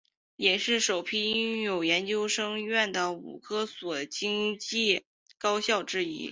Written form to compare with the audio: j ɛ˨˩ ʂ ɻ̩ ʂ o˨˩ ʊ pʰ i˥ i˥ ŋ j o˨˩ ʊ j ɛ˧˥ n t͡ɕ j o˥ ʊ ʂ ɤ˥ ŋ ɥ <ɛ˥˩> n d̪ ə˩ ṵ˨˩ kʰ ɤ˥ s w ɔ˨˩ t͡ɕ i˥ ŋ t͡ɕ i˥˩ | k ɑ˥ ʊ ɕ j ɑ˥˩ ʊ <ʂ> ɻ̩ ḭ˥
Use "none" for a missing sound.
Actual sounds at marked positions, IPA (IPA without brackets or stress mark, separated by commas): ɛ˥˩, ʈ͡ʂ